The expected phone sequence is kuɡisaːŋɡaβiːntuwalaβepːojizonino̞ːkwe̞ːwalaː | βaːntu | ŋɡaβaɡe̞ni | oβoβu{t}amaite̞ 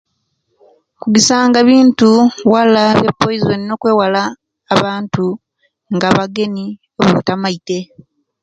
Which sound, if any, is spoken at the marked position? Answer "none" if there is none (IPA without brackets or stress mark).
t